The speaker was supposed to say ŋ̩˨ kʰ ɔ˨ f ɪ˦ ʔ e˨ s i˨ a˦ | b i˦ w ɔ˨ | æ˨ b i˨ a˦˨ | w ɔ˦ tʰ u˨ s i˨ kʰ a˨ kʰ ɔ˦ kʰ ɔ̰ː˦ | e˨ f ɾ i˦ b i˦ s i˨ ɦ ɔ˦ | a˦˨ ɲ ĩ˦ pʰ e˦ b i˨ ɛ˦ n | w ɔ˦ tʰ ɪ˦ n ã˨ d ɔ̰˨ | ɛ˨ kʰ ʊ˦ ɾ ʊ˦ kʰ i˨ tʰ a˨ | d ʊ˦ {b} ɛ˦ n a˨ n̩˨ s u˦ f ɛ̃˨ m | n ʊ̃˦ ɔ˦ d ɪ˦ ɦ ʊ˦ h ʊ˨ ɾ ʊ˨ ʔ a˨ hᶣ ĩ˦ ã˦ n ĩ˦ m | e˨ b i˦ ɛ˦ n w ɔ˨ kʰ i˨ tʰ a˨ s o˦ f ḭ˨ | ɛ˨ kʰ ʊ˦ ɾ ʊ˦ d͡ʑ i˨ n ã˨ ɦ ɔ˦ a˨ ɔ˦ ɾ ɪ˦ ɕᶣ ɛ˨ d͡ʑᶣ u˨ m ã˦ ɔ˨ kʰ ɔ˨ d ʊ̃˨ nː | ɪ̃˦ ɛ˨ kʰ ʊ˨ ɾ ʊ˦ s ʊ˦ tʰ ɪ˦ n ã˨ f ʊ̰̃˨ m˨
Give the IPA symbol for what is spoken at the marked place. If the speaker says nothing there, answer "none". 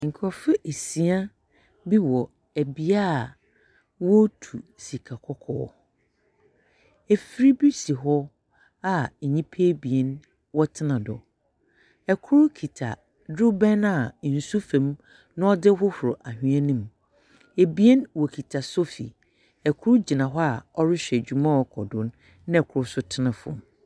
b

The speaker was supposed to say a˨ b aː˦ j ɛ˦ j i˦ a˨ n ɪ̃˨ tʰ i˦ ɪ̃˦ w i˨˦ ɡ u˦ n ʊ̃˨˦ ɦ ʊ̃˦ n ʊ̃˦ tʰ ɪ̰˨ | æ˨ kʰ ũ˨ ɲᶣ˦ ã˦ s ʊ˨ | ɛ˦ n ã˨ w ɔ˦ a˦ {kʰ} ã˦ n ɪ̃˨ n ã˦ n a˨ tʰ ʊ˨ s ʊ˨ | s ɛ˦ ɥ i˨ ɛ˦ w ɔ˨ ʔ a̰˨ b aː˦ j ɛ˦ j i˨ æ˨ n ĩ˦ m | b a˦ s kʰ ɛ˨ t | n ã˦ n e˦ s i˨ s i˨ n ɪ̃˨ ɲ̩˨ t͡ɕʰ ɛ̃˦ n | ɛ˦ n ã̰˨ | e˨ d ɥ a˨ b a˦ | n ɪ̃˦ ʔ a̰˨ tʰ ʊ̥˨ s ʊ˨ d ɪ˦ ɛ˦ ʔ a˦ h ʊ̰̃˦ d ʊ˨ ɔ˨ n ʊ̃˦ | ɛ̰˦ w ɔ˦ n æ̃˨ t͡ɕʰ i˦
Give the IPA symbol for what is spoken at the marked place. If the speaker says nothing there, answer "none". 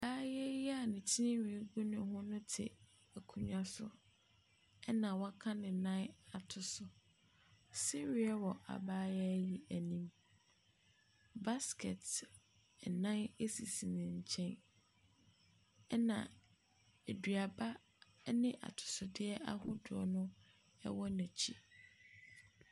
kʰ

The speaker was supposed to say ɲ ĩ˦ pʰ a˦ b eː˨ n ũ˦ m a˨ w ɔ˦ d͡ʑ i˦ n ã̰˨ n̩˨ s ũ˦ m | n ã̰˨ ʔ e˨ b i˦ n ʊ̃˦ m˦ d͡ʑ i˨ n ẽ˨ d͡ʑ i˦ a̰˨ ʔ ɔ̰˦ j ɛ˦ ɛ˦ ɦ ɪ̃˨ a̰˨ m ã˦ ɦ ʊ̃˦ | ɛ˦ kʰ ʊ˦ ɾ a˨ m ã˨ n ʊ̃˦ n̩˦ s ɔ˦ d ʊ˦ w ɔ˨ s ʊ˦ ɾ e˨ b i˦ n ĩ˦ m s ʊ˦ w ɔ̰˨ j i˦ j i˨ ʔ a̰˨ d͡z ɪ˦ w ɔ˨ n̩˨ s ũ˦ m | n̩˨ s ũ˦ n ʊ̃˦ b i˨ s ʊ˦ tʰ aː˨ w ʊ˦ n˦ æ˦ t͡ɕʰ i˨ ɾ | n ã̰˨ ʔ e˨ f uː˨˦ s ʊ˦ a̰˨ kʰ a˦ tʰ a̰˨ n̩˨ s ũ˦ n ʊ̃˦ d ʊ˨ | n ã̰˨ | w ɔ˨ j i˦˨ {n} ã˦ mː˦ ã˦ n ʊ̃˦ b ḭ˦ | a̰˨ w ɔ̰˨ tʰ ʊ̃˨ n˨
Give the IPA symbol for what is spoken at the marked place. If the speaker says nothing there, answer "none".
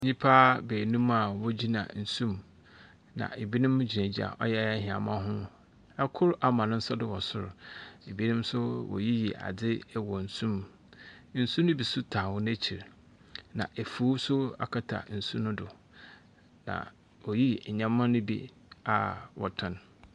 ɲ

